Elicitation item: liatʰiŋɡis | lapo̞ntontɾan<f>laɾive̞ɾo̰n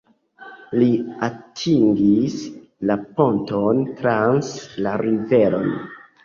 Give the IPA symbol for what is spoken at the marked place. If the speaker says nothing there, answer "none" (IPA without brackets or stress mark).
s